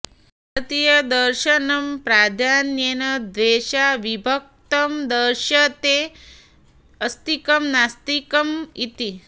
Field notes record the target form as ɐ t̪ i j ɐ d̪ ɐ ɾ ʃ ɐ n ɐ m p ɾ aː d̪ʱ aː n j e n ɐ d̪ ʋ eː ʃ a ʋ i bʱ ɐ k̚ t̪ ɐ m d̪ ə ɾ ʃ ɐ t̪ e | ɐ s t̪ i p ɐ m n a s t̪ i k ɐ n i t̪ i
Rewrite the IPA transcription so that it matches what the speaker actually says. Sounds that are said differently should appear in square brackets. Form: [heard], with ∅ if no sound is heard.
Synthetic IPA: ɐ t̪ i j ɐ d̪ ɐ ɾ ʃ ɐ n ɐ m p ɾ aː d̪ʱ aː n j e n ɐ d̪ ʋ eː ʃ a ʋ i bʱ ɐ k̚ t̪ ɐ m d̪ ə ɾ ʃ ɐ t̪ e | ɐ s t̪ i [k] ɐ m n a s t̪ i k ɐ [m] i t̪ i

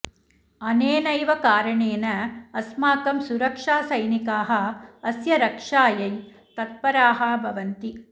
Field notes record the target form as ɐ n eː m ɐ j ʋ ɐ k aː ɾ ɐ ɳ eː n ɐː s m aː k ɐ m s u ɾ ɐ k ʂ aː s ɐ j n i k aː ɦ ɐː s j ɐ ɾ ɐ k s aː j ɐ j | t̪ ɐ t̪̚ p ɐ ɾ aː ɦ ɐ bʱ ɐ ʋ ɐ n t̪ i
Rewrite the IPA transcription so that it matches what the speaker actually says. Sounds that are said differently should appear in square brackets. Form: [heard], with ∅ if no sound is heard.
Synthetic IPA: ɐ n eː [n] ɐ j ʋ ɐ k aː ɾ ɐ ɳ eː n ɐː s m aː k ɐ m s u ɾ ɐ k ʂ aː s ɐ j n i k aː ɦ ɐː s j ɐ ɾ ɐ k [ʂ] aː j ɐ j | t̪ ɐ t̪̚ p ɐ ɾ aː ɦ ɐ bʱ ɐ ʋ ɐ n t̪ i

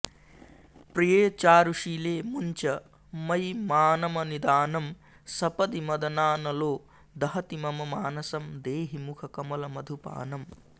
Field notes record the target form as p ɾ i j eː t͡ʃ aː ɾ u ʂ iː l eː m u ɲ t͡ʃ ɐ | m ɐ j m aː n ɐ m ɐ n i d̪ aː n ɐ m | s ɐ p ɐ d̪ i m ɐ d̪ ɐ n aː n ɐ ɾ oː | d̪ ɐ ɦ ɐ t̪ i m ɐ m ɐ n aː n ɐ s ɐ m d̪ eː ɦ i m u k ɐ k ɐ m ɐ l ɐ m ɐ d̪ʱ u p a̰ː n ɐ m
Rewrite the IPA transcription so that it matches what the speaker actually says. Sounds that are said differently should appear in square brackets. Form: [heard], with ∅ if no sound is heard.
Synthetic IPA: p ɾ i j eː t͡ʃ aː ɾ u ʂ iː l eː m u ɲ t͡ʃ ɐ | m ɐ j m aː n ɐ m ɐ n i d̪ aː n ɐ m | s ɐ p ɐ d̪ i m ɐ d̪ ɐ n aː n ɐ [l] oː | d̪ ɐ ɦ ɐ t̪ i m ɐ m ɐ [m] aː n ɐ s ɐ m d̪ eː ɦ i m u [kʰ] ɐ k ɐ m ɐ l ɐ m ɐ d̪ʱ u p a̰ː n ɐ m

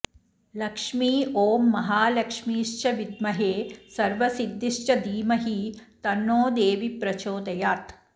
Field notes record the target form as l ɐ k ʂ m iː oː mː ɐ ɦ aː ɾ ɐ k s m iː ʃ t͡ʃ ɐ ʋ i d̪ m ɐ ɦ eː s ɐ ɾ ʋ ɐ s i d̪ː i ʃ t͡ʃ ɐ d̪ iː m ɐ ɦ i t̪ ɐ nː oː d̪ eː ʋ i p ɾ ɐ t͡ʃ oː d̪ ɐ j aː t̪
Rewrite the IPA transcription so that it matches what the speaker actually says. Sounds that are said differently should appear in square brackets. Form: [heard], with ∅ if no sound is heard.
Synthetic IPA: l ɐ k ʂ m iː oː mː ɐ ɦ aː [l] ɐ k [ʂ] m iː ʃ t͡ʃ ɐ ʋ i d̪ m ɐ ɦ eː s ɐ ɾ ʋ ɐ s i d̪ː i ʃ t͡ʃ ɐ d̪ iː m ɐ ɦ i t̪ ɐ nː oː d̪ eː ʋ i p ɾ ɐ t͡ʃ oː d̪ ɐ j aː t̪

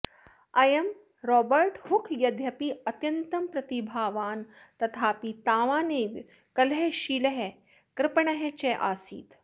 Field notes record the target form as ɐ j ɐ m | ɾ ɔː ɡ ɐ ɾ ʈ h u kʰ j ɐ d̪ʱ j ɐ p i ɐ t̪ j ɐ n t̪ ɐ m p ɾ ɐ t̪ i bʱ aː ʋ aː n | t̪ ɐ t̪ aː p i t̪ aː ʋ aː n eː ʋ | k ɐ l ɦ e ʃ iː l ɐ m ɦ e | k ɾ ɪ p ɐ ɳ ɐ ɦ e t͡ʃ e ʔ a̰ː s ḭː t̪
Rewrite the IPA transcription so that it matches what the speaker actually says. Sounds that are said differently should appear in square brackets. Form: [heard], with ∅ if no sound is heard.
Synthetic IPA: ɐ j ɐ m | ɾ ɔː [b] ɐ ɾ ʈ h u kʰ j ɐ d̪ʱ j ɐ p i ɐ t̪ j ɐ n t̪ ɐ m p ɾ ɐ t̪ i bʱ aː ʋ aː n | t̪ ɐ [t̪ʰ] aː p i t̪ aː ʋ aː n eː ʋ | k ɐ l ɦ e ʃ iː l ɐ [∅] ɦ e | k ɾ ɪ p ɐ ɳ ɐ ɦ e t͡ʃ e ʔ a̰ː s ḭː t̪

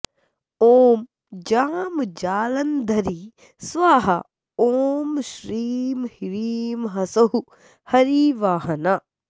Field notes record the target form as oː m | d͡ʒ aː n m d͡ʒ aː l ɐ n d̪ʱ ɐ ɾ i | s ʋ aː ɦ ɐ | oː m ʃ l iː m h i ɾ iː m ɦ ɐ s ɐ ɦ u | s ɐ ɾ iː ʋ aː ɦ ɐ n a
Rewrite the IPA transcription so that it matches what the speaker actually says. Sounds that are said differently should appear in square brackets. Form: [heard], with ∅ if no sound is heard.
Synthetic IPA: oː m | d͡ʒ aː [∅] m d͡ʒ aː l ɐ n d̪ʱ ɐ ɾ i | s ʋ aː ɦ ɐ | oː m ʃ [ɾ] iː m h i ɾ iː m ɦ ɐ s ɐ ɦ u | [h] ɐ ɾ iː ʋ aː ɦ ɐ n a

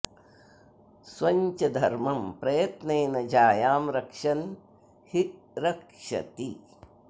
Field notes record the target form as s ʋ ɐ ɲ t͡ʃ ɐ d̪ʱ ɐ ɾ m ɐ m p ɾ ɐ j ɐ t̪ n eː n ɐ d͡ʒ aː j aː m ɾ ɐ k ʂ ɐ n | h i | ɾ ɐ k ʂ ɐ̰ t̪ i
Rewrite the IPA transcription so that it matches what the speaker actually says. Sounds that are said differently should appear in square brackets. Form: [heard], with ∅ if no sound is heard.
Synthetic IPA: s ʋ ɐ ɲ t͡ʃ ɐ d̪ʱ ɐ ɾ m ɐ m p ɾ ɐ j ɐ t̪ n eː n ɐ d͡ʒ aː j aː m ɾ ɐ k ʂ ɐ n | h i | ɾ ɐ k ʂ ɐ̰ t̪ i

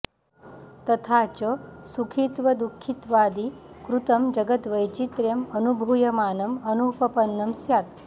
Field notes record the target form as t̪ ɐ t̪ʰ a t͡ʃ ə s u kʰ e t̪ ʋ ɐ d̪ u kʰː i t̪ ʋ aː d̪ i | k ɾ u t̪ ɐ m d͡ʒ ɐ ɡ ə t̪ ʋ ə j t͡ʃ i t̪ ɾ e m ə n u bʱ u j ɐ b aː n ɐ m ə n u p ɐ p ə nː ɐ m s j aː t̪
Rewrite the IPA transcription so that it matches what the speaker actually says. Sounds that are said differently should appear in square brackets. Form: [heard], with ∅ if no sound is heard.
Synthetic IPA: t̪ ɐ t̪ʰ a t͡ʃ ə s u kʰ [i] t̪ ʋ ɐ d̪ u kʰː i t̪ ʋ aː d̪ i | k ɾ u t̪ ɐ m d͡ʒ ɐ ɡ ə t̪ ʋ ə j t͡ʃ i t̪ ɾ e m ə n u bʱ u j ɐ [m] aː n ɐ m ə n u p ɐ p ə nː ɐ m s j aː t̪

